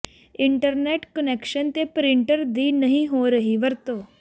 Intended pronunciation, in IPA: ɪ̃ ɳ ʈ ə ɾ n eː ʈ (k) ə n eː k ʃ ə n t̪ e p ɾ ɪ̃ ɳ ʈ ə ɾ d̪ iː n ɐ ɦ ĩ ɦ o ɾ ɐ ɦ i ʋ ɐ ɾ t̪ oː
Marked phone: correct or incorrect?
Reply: correct